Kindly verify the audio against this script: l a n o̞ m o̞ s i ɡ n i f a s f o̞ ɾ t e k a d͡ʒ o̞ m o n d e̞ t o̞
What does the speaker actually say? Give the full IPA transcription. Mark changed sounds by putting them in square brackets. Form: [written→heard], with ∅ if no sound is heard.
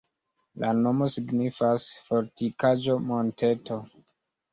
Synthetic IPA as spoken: l a n o̞ m o̞ s i ɡ n i f a s f o̞ ɾ t [e→i] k a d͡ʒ o̞ m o n [d→t] e̞ t o̞